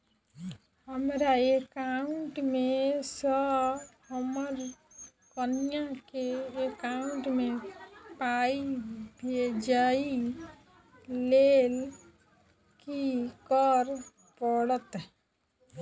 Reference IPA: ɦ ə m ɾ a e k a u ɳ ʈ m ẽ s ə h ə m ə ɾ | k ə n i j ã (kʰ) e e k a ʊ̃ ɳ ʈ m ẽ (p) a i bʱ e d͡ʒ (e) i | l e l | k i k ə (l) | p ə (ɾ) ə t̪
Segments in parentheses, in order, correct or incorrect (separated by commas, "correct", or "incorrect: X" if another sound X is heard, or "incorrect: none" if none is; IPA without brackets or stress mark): incorrect: k, correct, incorrect: a, incorrect: ɾ, incorrect: ɽ